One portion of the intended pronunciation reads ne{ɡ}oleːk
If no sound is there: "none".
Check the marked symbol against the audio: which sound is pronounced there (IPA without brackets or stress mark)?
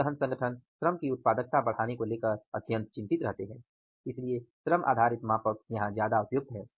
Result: k